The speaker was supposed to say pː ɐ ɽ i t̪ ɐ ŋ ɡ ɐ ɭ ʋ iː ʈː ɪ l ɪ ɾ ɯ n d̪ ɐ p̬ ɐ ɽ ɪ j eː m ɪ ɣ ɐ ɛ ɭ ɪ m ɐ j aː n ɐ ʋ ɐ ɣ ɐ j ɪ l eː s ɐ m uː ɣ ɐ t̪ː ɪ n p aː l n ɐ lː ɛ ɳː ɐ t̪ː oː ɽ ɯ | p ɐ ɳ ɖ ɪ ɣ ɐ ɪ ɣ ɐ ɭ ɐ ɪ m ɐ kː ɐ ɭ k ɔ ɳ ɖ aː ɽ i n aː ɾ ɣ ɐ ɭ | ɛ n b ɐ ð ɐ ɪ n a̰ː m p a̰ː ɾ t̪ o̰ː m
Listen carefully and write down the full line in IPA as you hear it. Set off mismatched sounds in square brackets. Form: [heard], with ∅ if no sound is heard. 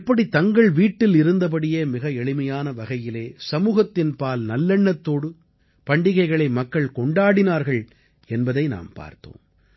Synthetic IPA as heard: pː ɐ ɽ i t̪ ɐ ŋ ɡ ɐ ɭ ʋ iː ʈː ɪ l ɪ ɾ ɯ n d̪ ɐ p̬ ɐ ɽ ɪ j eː m ɪ ɣ ɐ ɛ ɭ ɪ m ɐ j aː n ɐ ʋ ɐ ɣ ɐ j ɪ l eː s ɐ m uː ɣ ɐ t̪ː ɪ n p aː l n ɐ lː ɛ ɳː ɐ t̪ː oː ɽ ɯ | p ɐ ɳ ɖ ɪ ɣ ɐ ɪ ɣ ɐ ɭ ɐ ɪ m ɐ kː ɐ ɭ k ɔ ɳ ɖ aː ɽ [ɪ] n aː ɾ ɣ ɐ ɭ | ɛ n b ɐ ð ɐ ɪ n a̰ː m p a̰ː ɾ t̪ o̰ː m